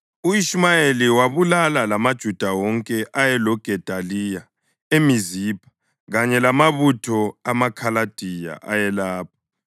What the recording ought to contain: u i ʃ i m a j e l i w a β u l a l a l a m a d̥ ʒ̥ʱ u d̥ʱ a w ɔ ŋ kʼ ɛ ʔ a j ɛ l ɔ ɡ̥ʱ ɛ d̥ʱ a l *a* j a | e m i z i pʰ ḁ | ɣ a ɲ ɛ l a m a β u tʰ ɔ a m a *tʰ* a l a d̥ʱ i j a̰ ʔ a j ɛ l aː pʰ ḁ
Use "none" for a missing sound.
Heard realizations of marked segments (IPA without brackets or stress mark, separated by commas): i, kʰ